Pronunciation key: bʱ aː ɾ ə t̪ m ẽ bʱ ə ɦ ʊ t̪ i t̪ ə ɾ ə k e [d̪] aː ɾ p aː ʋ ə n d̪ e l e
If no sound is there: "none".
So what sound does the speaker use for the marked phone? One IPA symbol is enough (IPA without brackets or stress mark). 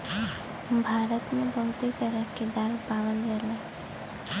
d̪